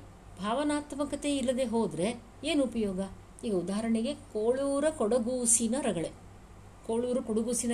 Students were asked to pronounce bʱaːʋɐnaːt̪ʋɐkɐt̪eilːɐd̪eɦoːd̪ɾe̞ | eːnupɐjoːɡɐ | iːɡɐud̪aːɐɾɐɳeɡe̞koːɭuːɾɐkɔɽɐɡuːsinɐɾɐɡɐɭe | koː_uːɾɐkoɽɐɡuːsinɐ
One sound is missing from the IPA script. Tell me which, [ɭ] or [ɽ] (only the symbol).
ɭ